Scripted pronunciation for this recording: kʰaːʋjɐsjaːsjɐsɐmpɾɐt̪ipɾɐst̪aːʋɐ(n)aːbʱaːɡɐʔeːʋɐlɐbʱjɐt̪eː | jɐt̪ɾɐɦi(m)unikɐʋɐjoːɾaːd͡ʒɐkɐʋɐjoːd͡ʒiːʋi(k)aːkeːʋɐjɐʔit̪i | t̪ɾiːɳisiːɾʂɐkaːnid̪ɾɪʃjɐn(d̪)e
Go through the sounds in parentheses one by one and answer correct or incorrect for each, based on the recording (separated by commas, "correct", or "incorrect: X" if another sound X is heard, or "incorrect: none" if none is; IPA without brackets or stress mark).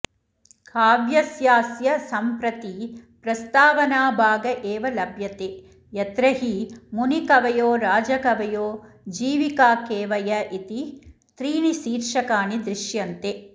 correct, correct, correct, incorrect: t̪